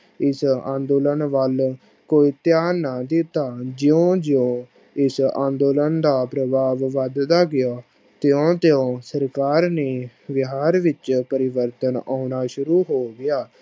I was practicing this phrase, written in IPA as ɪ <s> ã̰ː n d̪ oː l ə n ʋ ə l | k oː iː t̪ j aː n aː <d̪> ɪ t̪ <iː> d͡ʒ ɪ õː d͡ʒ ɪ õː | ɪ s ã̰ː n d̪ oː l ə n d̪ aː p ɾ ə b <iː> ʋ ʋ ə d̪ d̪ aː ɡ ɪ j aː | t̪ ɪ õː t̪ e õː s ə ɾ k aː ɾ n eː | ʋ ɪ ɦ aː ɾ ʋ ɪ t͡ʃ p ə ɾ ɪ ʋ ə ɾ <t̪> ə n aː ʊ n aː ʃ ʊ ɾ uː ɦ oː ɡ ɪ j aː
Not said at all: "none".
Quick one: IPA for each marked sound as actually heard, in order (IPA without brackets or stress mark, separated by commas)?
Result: s, d̪, aː, aː, t̪